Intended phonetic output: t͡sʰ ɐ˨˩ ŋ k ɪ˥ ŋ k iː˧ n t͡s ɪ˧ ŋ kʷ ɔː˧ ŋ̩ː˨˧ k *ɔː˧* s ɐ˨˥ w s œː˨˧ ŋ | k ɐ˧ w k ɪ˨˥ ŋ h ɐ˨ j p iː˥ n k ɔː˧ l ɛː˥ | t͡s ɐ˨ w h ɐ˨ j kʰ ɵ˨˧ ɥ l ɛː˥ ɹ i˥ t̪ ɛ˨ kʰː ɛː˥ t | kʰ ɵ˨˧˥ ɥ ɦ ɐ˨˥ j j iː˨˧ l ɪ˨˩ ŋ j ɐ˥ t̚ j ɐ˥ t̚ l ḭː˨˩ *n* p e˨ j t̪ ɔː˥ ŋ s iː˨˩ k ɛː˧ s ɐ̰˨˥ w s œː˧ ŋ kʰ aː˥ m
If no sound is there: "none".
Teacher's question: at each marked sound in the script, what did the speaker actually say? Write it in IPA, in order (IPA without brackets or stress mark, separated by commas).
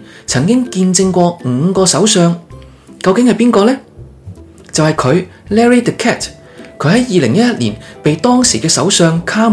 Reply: ɔː˧, n